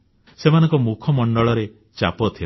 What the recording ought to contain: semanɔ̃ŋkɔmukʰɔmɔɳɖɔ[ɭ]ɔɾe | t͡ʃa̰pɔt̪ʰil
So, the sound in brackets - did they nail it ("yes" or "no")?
yes